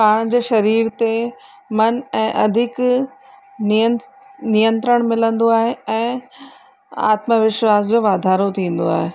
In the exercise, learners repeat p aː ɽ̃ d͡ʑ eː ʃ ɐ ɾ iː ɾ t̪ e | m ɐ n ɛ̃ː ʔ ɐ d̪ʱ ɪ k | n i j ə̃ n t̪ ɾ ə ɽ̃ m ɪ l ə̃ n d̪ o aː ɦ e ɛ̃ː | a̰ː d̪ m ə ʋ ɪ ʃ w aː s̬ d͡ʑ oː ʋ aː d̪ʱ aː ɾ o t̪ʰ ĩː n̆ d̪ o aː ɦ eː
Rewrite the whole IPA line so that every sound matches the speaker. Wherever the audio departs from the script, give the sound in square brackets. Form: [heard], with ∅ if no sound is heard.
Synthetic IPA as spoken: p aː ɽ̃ d͡ʑ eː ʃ ɐ ɾ iː ɾ t̪ e | m ɐ n ɛ̃ː ʔ ɐ d̪ʱ ɪ k | n i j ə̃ n t̪ ɾ ə ɽ̃ m ɪ l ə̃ n d̪ o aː ɦ e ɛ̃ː | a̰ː [t̪] m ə ʋ ɪ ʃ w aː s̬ d͡ʑ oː ʋ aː d̪ʱ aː ɾ o t̪ʰ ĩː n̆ d̪ o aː ɦ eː